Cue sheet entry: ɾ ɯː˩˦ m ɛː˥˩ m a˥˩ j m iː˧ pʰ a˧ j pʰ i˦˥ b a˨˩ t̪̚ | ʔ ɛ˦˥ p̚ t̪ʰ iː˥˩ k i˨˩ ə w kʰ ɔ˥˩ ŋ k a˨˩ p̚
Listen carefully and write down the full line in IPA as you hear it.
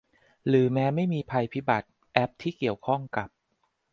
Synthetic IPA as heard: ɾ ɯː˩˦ m ɛː˦˥ m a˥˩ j m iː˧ pʰ a˧ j pʰ i˦˥ b a˨˩ t̪̚ | ʔ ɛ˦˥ p̚ t̪ʰ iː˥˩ k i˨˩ ə w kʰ ɔ˥˩ ŋ k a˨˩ p̚